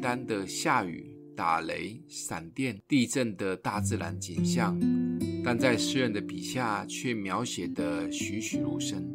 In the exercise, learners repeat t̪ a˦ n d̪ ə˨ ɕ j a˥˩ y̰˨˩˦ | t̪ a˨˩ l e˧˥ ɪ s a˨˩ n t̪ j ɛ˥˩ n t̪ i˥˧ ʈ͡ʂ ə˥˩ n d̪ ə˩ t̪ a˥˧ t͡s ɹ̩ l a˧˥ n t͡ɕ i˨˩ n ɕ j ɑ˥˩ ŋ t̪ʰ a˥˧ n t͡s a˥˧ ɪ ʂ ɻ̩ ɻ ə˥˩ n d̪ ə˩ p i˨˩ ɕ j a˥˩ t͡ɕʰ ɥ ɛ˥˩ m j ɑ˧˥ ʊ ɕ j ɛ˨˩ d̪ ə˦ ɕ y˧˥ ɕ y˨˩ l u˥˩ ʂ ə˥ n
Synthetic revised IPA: t̪ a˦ n d̪ ə˨ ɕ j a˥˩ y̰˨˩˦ | t̪ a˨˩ l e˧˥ ɪ s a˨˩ n t̪ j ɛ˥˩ n t̪ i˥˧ ʈ͡ʂ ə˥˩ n d̪ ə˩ t̪ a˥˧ t͡s ɹ̩ l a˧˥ n t͡ɕ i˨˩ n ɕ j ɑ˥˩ ŋ t̪ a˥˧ n t͡s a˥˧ ɪ ʂ ɻ̩ ɻ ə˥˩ n d̪ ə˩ p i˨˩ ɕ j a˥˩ t͡ɕʰ ɥ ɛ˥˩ m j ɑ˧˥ ʊ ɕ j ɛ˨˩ d̪ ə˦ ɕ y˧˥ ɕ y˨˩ l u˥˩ ʂ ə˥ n